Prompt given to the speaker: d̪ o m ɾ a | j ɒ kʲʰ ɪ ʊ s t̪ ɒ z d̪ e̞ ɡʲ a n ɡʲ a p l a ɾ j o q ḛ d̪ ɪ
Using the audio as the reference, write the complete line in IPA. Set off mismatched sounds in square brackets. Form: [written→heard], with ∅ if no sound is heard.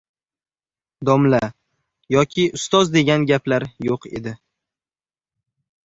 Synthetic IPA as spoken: d̪ [o→ɒ] m [ɾ→l] a | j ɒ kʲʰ ɪ ʊ s t̪ ɒ z d̪ e̞ ɡʲ a n ɡʲ a p l a ɾ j o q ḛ d̪ ɪ